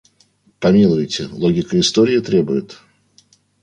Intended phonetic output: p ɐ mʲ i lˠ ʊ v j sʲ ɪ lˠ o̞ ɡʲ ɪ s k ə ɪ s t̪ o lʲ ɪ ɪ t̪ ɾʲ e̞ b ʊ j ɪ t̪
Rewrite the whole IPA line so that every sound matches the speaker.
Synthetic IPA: p ɐ mʲ i lˠ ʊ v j tʲ ɪ lˠ o̞ ɡʲ ɪ k ə ɪ s t̪ o ɾʲ ɪ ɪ t̪ ɾʲ e̞ b ʊ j ɪ t̪

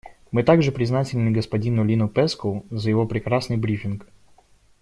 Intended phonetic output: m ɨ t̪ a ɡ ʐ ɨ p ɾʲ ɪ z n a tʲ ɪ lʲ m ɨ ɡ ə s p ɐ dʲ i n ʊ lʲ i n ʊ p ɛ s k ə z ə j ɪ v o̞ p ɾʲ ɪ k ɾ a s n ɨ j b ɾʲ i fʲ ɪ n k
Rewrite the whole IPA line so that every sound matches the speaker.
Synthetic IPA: m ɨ t̪ a ɡ ʐ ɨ p ɾʲ ɪ z n a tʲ ɪ lʲ n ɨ ɡ ə s p ɐ dʲ i n ʊ lʲ i n ʊ p ɛ s k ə z ə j ɪ v o̞ p ɾʲ ɪ k ɾ a s n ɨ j b ɾʲ i fʲ ɪ n k

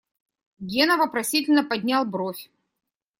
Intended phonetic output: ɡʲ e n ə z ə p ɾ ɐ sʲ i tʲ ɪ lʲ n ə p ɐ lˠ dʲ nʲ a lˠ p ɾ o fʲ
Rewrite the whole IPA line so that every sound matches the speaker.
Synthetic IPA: ɡʲ e n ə v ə p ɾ ɐ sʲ i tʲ ɪ lʲ n ə p ɐ dʲ nʲ a lˠ b ɾ o fʲ

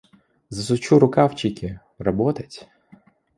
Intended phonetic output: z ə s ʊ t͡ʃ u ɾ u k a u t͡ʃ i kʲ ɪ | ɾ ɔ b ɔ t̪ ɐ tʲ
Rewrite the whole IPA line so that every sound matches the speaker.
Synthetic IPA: z ɐ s ʊ t͡ʃ u ɾ ʊ k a w t͡ʃ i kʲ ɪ | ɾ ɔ b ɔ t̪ ɐ tʲ

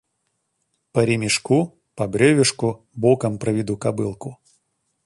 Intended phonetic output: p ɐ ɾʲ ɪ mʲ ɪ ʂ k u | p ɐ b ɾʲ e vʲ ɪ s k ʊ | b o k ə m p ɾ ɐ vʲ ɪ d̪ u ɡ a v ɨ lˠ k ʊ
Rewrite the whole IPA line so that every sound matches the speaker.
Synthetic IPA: p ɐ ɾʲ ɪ mʲ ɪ ʂ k u | p ɐ b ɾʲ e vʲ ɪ ʂ k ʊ | b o k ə m p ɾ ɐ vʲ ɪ d̪ u k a b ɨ lˠ k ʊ

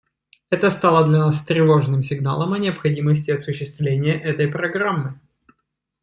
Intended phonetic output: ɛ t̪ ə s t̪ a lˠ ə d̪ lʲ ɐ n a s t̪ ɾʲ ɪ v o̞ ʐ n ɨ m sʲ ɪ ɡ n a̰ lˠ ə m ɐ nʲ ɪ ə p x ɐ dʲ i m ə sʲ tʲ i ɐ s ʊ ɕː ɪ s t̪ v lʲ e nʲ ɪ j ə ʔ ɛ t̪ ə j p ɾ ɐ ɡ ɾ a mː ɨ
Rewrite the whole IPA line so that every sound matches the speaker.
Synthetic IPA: ɛ t̪ ə s t̪ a lˠ ə d̪ lʲ ɐ n a s t̪ ɾʲ ɪ v o̞ ʐ n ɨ m sʲ ɪ ɡ n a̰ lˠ ə m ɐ nʲ ɪ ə p x ɐ dʲ i m ə sʲ tʲ ɪ ɐ s ʊ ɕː ɪ s t̪ v lʲ e nʲ ɪ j ə ʔ ɛ t̪ ə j p ɾ ɐ ɡ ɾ a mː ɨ

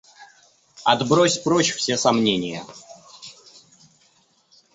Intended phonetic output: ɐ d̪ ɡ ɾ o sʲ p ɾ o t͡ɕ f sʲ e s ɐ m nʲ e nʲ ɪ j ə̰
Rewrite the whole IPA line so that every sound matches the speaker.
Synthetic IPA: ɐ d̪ b ɾ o sʲ p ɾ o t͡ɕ f sʲ e s ɐ m nʲ e nʲ ɪ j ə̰

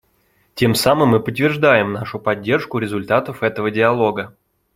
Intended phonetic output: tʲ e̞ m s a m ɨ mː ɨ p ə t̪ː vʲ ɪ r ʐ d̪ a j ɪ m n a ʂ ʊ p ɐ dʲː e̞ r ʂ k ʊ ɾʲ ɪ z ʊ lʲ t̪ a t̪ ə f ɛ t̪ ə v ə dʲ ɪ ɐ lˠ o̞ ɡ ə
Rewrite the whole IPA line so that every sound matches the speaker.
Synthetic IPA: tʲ e̞ m s a m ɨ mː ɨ p ə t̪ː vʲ ɪ r ʐ d̪ a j ɪ m n a ʂ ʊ p ɐ dʲː e̞ r ʂ k ʊ ɾʲ ɪ z ʊ lʲ t̪ a t̪ ə f ɛ t̪ ə v ə dʲ ɪ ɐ lˠ o̞ ɡ ə

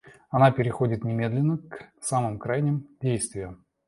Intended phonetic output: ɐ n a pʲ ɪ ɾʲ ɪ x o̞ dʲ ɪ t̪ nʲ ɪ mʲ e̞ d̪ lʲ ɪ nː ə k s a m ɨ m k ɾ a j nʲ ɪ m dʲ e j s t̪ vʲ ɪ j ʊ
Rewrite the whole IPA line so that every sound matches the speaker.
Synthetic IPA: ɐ n a pʲ ɪ ɾʲ ɪ x o̞ dʲ ɪ t̪ nʲ ɪ mʲ e̞ d̪ lʲ ɪ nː ə k s a m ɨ m k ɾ a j nʲ ɪ m dʲ e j s t̪ vʲ ɪ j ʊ

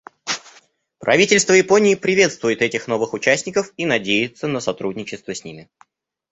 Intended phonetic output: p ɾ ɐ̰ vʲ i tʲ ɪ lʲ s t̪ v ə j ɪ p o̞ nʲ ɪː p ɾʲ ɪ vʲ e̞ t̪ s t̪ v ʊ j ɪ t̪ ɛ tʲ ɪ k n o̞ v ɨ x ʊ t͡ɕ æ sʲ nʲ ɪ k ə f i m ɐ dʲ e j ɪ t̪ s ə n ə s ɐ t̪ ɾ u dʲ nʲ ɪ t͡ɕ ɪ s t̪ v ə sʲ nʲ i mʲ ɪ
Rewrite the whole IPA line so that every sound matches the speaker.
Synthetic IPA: p ɾ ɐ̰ vʲ i tʲ ɪ lʲ s t̪ v ə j ɪ p o̞ nʲ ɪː p ɾʲ ɪ vʲ e̞ t̪ s t̪ v ʊ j ɪ t̪ ɛ tʲ ɪ x n o̞ v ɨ x ʊ t͡ɕ æ sʲ nʲ ɪ k ə f i n ɐ dʲ e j ɪ t̪ s ə n ə s ɐ t̪ ɾ u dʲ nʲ ɪ t͡ɕ ɪ s t̪ v ə sʲ nʲ i mʲ ɪ

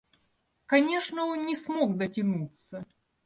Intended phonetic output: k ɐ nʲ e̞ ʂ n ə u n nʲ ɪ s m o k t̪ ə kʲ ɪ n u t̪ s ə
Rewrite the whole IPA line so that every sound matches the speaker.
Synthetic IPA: k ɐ nʲ e̞ ʂ n ə o n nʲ ɪ s m o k d̪ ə tʲ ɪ n u t̪ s ə

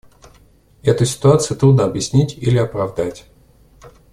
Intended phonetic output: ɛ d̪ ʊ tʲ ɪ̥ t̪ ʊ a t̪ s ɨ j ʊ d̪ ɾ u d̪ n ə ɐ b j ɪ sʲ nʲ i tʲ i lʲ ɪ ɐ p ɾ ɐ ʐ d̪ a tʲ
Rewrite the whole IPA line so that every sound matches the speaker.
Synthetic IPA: ɛ t̪ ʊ sʲ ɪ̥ t̪ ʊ a t̪ s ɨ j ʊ t̪ ɾ u d̪ n ə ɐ b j ɪ sʲ nʲ i tʲ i lʲ ɪ ɐ p ɾ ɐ v d̪ a tʲ

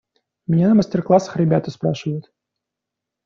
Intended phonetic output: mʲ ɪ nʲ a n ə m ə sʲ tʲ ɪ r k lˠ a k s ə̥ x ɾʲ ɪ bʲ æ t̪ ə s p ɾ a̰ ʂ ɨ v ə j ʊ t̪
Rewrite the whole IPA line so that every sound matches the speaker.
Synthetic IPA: mʲ ɪ nʲ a n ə m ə sʲ tʲ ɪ r k lˠ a s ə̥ x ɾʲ ɪ bʲ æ t̪ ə s p ɾ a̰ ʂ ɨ v ə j ʊ t̪

